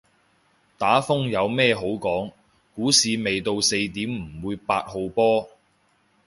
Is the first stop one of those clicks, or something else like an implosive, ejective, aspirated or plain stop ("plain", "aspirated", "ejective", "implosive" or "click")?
plain